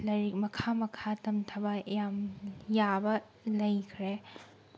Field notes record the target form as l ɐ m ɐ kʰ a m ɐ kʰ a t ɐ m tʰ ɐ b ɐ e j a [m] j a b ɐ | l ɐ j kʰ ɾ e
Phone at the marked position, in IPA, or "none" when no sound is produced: m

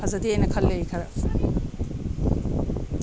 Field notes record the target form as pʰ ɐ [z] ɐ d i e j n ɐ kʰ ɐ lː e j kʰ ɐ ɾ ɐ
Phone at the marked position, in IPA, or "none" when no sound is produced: z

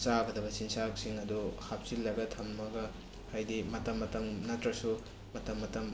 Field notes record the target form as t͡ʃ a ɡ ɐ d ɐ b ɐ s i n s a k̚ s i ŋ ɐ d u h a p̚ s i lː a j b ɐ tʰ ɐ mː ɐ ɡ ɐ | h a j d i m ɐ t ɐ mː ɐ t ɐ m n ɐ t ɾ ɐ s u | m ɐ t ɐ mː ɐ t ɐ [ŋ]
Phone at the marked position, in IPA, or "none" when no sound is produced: m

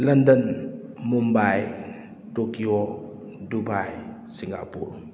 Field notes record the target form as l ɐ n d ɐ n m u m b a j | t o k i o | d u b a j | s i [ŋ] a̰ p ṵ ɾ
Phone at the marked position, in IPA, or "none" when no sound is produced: ŋ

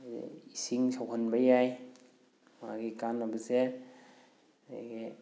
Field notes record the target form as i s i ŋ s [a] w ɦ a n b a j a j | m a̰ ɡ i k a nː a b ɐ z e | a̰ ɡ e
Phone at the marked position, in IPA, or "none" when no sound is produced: a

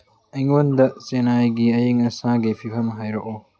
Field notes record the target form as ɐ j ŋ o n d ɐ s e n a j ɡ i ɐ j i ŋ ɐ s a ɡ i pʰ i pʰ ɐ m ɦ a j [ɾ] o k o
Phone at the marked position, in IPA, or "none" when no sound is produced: ɾ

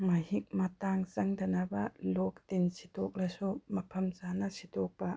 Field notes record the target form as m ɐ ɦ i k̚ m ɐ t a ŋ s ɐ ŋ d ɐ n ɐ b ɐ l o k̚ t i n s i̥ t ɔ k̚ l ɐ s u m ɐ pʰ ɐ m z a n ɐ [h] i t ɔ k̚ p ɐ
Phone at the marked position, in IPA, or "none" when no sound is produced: s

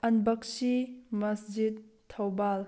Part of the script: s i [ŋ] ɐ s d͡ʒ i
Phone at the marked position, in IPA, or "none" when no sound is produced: m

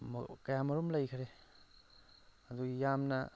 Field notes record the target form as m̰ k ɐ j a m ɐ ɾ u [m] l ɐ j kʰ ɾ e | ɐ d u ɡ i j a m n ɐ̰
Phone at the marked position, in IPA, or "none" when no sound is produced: m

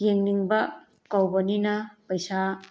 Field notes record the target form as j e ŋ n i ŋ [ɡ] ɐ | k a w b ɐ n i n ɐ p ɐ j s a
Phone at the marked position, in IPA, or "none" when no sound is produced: b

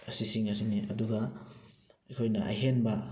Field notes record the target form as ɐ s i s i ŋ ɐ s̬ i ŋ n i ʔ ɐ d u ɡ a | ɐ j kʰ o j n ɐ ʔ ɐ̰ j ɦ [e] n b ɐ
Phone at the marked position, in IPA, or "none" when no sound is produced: e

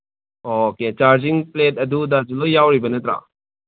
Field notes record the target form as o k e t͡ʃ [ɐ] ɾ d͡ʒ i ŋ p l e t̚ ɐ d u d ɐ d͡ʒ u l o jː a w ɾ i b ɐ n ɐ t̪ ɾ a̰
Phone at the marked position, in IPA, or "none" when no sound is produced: a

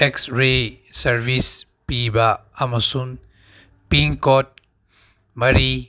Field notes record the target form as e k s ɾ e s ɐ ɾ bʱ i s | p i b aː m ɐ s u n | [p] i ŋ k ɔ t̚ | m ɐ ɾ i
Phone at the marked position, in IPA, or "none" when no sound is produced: p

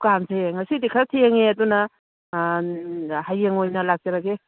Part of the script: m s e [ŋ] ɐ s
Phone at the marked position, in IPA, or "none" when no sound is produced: ŋ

